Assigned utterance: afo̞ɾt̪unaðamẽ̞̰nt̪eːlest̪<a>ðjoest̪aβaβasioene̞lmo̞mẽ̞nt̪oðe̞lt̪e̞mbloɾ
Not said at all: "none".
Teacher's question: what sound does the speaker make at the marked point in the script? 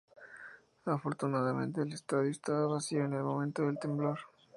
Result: a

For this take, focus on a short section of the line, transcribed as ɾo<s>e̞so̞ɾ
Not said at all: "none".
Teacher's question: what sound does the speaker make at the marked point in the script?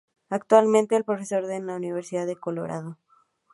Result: f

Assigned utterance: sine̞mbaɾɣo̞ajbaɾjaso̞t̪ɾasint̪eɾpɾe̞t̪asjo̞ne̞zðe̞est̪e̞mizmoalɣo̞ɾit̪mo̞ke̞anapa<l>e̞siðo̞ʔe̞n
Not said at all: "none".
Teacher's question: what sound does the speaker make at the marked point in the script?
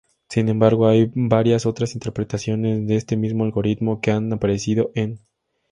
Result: ɾ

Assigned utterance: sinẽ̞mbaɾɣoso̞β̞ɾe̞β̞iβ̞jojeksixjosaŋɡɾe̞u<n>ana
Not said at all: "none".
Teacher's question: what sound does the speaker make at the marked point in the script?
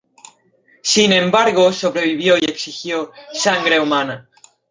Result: m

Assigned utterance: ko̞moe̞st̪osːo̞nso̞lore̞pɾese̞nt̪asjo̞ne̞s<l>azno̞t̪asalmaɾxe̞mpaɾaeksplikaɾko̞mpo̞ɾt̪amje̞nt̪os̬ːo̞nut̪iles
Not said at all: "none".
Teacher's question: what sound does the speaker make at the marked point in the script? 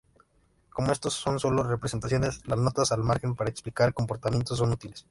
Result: l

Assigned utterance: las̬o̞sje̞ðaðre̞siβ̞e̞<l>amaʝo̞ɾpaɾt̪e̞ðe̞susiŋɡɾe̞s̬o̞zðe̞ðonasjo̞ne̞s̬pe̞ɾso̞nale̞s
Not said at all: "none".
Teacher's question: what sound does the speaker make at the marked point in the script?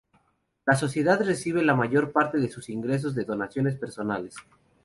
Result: l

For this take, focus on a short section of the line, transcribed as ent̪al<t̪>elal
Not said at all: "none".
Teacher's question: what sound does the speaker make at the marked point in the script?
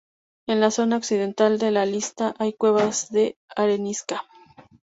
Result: d̪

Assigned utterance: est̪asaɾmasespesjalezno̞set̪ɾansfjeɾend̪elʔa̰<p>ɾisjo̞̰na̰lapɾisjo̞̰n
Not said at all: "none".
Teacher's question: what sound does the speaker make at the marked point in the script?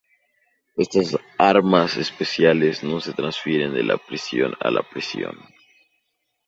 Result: p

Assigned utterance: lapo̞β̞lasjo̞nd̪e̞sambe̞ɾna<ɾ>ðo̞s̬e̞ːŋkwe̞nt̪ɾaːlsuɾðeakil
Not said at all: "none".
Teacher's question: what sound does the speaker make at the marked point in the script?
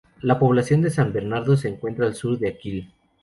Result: ɾ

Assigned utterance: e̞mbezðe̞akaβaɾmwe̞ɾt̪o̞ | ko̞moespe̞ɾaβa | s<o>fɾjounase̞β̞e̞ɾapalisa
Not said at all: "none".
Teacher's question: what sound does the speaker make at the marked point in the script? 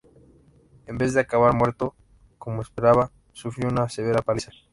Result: u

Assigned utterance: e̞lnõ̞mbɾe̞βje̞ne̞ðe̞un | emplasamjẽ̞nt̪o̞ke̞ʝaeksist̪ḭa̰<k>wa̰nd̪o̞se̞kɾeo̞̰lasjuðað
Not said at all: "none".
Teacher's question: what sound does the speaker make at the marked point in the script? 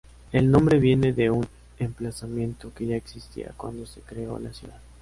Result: k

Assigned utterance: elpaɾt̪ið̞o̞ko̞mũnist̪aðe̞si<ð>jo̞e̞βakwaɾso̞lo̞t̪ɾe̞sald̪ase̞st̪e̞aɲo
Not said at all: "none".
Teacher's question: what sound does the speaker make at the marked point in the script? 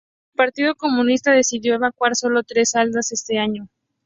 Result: ð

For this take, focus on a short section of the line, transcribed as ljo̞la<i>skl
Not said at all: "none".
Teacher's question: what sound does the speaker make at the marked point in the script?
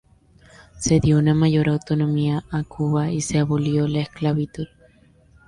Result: e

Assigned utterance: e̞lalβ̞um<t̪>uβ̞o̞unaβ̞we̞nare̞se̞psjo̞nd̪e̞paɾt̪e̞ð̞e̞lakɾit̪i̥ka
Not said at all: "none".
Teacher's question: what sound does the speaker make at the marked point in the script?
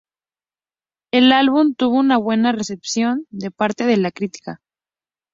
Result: t̪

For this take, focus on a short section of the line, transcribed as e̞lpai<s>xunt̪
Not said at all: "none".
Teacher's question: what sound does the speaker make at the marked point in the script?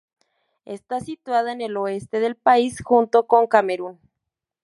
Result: s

